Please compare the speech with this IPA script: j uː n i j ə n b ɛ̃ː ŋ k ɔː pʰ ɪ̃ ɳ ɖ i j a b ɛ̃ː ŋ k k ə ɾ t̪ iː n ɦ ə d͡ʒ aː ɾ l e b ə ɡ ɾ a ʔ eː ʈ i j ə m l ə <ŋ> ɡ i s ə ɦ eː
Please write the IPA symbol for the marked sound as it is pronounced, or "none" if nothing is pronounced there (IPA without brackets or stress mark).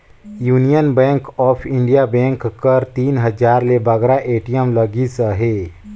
none